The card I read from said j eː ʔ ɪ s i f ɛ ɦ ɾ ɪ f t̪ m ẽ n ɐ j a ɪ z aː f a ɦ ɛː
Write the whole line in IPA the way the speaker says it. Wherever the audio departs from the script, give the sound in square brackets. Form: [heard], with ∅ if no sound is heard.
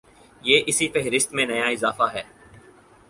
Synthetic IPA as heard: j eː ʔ ɪ s i f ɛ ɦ ɾ ɪ [s] t̪ m ẽ n ɐ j a ɪ z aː f a ɦ ɛː